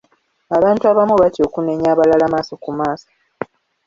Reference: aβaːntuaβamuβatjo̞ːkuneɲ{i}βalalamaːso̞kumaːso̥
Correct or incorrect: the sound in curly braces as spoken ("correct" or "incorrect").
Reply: incorrect